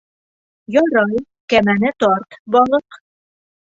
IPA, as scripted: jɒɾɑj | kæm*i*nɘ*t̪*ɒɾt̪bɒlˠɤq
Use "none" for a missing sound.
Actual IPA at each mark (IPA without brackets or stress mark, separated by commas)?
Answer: æ, t̪